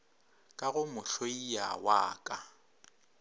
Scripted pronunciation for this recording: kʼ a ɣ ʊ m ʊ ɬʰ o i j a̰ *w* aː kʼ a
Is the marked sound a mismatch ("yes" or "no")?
no